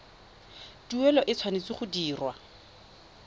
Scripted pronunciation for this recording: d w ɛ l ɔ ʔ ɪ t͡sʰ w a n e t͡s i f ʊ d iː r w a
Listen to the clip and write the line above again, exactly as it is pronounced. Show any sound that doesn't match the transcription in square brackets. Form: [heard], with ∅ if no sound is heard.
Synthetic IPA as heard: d [u] ɛ l ɔ ʔ ɪ t͡sʰ w a n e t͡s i [χ] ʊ d iː r w a